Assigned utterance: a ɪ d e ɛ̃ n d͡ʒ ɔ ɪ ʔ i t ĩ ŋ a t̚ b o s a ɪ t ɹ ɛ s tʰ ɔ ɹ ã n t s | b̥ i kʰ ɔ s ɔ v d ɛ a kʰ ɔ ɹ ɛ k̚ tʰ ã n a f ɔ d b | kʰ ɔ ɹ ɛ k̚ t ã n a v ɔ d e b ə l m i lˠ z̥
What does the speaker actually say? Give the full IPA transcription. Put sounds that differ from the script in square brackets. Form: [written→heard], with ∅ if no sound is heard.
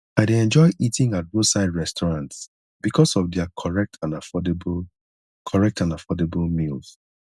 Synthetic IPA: a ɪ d e ɛ̃ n d͡ʒ ɔ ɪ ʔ i t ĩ ŋ a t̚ b o s a ɪ [t→d] ɹ ɛ s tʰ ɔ ɹ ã n t s | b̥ i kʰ ɔ s ɔ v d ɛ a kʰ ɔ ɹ ɛ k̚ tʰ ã n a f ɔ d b | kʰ ɔ ɹ ɛ k̚ t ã n a [v→f] ɔ d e b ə l m i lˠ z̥

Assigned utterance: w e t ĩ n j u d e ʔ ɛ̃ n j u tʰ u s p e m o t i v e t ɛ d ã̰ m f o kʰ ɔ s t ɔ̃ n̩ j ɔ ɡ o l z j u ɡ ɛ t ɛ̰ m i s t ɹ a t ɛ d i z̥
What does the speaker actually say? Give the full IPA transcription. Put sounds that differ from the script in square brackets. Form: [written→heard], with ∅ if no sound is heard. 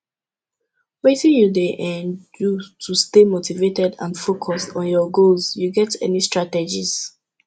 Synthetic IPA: w e t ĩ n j u d e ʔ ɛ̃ n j u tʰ u s [p→t] e m o t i v e t ɛ d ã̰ [m→n] f o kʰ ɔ s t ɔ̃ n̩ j ɔ ɡ o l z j u ɡ ɛ t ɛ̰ [m→n] i s t ɹ a t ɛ [d→d͡ʒ] i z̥

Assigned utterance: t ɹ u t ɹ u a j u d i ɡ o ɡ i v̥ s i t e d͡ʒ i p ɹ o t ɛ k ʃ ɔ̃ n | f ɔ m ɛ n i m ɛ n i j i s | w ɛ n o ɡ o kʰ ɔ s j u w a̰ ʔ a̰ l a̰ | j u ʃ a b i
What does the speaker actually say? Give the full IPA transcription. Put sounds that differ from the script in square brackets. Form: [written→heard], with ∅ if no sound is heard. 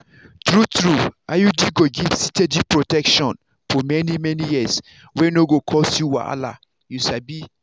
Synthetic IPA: t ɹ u t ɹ u a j u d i ɡ o ɡ i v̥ s i t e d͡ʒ i p ɹ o t ɛ k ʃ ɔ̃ n | f ɔ m ɛ n i m ɛ n i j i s | w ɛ n o ɡ o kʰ ɔ s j u w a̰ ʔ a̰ l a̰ | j u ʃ a b i

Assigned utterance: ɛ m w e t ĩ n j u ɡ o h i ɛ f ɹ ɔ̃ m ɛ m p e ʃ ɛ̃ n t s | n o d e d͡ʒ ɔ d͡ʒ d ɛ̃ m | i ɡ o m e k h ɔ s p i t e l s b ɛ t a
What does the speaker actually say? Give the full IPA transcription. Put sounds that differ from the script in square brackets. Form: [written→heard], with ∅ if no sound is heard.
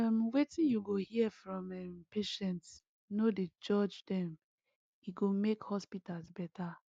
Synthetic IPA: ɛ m w e t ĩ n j u ɡ o h i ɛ f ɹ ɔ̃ m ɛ m p e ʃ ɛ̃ n t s | n o d e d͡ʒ ɔ d͡ʒ d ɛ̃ m | i ɡ o m e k h ɔ s p i t [e→a] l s b ɛ t a

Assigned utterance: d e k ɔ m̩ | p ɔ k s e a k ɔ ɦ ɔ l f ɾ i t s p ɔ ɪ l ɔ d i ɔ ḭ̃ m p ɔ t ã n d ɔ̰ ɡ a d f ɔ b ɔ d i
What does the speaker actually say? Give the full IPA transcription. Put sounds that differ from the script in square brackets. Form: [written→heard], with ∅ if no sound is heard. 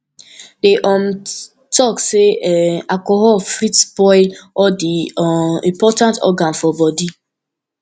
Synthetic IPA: d e [k→ʔ] ɔ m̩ | [p→t] ɔ k s e a k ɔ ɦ ɔ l f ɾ i t s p ɔ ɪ l ɔ d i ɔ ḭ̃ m p ɔ t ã n [d→t] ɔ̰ ɡ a [d→n] f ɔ b ɔ d i

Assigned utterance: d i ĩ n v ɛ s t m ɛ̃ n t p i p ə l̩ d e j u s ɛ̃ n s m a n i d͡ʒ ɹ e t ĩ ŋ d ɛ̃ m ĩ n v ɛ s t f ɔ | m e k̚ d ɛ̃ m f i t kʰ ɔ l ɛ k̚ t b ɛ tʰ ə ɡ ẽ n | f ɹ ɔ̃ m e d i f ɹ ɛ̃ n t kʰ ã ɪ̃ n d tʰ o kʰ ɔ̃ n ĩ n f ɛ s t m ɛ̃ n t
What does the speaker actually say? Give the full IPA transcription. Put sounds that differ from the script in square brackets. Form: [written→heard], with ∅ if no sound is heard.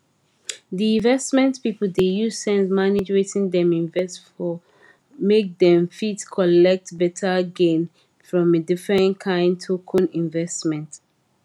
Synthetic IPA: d i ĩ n v ɛ s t m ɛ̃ n t p i p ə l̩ d e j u s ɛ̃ n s m a n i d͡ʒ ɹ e t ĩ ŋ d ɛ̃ m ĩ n v ɛ s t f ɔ | m e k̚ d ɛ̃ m f i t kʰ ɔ l ɛ k̚ t b ɛ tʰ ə ɡ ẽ n | f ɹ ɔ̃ m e d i f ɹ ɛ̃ n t kʰ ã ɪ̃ n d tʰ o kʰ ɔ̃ n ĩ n [f→v] ɛ s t m ɛ̃ n t

